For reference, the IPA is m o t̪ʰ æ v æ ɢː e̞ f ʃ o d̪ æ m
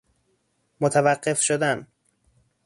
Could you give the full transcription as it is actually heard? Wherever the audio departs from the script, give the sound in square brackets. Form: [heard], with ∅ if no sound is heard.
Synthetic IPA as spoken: m o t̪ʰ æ v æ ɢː e̞ f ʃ o d̪ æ [n]